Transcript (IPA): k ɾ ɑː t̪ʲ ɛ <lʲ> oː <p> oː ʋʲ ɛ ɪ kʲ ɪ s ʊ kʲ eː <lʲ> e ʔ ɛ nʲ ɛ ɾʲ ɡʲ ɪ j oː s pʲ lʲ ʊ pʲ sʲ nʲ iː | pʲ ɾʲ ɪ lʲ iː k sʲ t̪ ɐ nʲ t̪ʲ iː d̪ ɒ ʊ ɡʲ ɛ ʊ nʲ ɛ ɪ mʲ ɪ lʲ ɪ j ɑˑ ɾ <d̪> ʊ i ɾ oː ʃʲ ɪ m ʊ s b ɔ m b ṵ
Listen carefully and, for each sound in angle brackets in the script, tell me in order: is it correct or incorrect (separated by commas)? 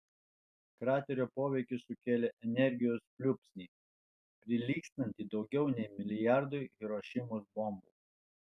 incorrect, correct, correct, correct